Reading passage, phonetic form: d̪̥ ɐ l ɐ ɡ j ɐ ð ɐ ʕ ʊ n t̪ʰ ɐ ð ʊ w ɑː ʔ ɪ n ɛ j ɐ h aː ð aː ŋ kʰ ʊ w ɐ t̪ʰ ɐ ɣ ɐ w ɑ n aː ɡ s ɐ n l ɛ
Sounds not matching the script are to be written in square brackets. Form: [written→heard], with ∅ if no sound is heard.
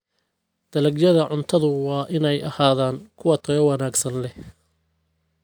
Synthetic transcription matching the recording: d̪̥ ɐ l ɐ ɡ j ɐ ð ɐ ʕ ʊ n t̪ʰ ɐ ð ʊ w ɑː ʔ ɪ n ɛ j ɐ h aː ð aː ŋ kʰ ʊ w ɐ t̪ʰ ɐ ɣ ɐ w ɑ n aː ɡ s ɐ n l ɛ

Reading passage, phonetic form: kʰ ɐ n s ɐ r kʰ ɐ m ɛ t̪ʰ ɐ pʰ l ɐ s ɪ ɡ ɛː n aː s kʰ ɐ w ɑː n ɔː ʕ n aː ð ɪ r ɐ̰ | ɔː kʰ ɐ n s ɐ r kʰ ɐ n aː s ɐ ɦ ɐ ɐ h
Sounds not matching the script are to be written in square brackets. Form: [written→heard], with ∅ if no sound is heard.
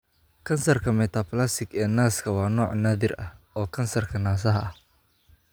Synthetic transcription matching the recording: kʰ ɐ n s ɐ r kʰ ɐ m ɛ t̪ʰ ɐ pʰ l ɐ s ɪ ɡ ɛː n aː s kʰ ɐ w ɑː n ɔː ʕ n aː ð ɪ r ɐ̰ | ɔː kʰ ɐ n s ɐ r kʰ ɐ n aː s ɐ ɦ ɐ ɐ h

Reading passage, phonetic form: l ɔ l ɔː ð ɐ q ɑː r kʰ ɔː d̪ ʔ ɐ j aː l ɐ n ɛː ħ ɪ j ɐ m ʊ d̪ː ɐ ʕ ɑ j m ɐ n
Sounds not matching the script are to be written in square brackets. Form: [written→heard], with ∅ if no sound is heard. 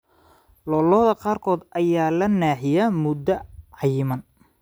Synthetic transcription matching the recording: l ɔ l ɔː ð ɐ q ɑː r kʰ ɔː d̪ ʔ ɐ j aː l ɐ n [ɛː→aː] ħ ɪ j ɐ m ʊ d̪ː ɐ ʕ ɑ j m ɐ n

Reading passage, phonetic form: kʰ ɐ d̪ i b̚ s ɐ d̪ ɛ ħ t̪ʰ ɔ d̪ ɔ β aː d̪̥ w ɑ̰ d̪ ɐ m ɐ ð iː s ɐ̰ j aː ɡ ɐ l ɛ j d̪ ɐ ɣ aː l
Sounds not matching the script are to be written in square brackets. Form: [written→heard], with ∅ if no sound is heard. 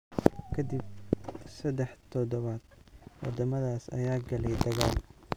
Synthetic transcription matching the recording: kʰ ɐ d̪ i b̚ s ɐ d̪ ɛ ħ t̪ʰ ɔ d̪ ɔ β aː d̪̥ w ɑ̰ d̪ ɐ m ɐ ð [iː→aː] s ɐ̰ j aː ɡ ɐ l ɛ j d̪ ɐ ɣ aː l

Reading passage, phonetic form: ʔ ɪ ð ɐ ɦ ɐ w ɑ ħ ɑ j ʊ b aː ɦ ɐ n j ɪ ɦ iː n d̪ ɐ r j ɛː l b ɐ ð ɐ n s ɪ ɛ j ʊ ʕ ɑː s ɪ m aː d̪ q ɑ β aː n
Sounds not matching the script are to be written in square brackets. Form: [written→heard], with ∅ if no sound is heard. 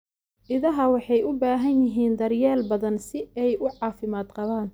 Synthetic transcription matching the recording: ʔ ɪ ð ɐ ɦ ɐ w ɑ ħ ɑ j ʊ b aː ɦ ɐ n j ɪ ɦ iː n d̪ ɐ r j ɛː l b ɐ ð ɐ n s ɪ ɛ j ʊ ʕ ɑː [s→f] ɪ m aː d̪ q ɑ β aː n

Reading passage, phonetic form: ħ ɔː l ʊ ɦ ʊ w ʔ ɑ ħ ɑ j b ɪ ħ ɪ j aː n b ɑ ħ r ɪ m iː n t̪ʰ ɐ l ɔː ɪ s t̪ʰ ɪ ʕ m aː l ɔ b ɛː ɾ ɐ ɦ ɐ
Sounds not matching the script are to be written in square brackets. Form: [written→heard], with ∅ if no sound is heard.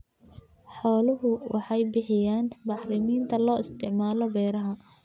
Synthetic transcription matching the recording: ħ ɔː l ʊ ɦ ʊ w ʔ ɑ ħ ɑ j b ɪ ħ ɪ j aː n b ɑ ħ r ɪ m iː n t̪ʰ ɐ l ɔː ɪ s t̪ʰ ɪ ʕ m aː l ɔ b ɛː ɾ ɐ ɦ ɐ

